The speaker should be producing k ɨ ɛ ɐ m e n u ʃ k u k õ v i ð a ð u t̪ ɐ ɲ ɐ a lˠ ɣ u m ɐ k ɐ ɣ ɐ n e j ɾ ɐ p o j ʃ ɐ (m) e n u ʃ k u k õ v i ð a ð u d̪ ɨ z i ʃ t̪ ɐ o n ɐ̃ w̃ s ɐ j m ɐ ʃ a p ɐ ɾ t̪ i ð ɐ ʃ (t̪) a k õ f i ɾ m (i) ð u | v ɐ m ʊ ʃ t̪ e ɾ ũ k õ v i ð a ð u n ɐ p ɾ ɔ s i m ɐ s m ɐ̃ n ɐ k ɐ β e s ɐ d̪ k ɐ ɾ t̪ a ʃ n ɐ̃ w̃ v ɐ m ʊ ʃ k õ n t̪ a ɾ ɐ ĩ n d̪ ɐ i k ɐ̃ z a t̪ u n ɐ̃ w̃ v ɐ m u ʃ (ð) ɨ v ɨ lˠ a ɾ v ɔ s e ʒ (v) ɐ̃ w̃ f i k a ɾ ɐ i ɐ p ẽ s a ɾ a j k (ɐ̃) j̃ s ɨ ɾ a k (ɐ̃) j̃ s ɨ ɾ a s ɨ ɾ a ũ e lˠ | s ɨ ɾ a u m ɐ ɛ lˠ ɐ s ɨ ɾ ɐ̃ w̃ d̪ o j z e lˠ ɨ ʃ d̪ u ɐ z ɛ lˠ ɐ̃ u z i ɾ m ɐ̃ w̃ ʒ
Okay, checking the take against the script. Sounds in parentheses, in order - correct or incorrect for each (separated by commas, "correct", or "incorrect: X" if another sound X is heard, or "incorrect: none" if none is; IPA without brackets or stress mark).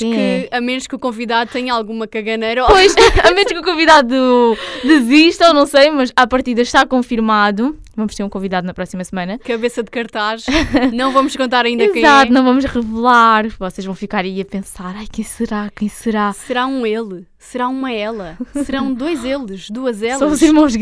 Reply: correct, correct, incorrect: a, incorrect: ʁ, correct, correct, correct